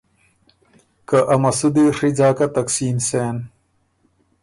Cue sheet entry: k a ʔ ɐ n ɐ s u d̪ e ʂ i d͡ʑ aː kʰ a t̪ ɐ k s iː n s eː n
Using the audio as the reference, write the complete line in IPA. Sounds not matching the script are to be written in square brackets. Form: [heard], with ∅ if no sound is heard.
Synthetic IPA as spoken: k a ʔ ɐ [m] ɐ s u d̪ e ʂ i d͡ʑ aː [k] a t̪ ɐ k s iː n s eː n

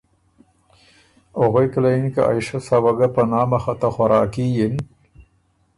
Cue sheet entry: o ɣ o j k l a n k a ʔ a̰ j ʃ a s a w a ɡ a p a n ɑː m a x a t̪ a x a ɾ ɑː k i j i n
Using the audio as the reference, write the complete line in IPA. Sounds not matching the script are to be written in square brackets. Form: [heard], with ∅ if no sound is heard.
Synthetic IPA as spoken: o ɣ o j k l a n k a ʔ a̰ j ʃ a s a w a ɡ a p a n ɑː m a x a t̪ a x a ɾ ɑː k i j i n

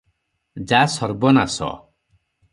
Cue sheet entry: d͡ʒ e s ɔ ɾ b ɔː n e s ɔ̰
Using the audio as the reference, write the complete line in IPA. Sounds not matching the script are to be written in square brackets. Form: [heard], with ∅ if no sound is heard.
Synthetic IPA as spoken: d͡ʒ [a] s ɔ ɾ b [ɔ] n [a] s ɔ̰

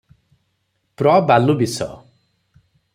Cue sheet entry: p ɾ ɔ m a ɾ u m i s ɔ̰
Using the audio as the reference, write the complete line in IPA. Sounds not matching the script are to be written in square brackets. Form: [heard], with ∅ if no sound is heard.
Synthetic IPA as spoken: p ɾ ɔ [b] a [l] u [b] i s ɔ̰

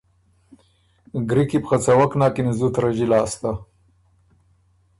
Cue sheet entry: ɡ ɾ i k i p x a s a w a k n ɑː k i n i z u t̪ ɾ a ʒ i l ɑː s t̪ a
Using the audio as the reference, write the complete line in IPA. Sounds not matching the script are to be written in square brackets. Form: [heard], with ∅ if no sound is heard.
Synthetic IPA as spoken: ɡ ɾ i k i p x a [t͡s] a w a k n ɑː k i n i z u t̪ ɾ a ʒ i l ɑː s t̪ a

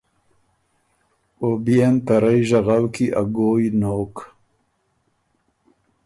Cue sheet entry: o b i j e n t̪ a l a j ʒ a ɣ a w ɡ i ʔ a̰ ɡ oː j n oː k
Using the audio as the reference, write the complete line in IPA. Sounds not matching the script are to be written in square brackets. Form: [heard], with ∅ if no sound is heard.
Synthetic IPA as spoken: o b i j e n t̪ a [ɾ] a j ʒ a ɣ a w [k] i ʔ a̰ ɡ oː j n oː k

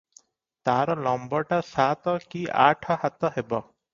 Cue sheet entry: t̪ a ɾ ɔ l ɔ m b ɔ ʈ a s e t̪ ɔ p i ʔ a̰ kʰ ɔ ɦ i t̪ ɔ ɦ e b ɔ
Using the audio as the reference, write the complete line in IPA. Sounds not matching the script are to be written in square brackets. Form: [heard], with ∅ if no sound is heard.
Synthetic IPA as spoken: t̪ a ɾ ɔ l ɔ m b ɔ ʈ a s [a] t̪ ɔ [k] i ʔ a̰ [ʈʰ] ɔ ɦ [a] t̪ ɔ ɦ e b ɔ

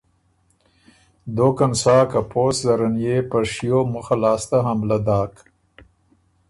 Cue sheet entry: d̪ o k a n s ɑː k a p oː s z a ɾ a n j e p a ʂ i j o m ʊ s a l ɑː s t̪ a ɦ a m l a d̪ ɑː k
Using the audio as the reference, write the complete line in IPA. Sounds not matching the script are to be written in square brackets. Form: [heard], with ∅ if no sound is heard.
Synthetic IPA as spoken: d̪ o k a n s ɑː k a p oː s z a ɾ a n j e p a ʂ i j o m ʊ [x] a l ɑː s t̪ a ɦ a m l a d̪ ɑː k

